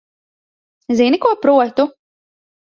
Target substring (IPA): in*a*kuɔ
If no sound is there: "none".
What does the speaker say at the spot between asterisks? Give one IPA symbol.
i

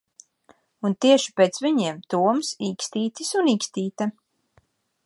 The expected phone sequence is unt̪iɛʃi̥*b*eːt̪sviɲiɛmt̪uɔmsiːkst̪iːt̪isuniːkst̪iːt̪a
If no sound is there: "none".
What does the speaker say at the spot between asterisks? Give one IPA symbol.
p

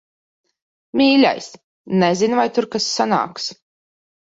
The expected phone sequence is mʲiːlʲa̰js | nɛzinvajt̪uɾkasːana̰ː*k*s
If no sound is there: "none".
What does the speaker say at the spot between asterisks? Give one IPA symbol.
k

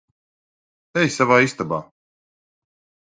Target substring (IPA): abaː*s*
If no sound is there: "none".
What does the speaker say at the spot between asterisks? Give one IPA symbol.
none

